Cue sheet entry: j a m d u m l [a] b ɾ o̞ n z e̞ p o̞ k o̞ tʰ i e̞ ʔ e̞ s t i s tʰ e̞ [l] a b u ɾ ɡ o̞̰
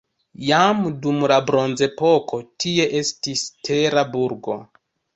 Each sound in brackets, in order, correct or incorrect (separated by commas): correct, incorrect